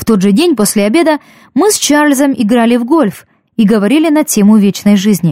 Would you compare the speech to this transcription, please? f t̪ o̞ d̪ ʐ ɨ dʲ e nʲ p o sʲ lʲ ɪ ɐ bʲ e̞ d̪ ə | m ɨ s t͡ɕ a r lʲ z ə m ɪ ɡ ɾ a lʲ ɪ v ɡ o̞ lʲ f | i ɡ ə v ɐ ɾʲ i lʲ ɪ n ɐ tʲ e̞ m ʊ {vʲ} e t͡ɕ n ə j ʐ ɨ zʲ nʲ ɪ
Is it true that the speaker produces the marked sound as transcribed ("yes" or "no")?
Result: yes